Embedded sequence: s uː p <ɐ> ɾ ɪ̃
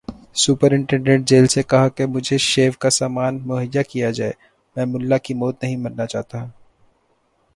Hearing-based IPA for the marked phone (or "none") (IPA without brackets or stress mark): ə